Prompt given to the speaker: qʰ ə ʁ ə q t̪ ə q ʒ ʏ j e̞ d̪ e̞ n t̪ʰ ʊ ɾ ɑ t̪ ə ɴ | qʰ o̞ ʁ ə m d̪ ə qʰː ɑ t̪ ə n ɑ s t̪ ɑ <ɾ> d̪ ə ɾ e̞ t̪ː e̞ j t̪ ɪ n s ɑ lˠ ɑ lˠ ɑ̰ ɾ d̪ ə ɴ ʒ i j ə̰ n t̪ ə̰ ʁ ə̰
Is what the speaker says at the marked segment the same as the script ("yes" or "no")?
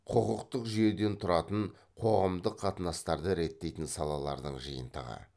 yes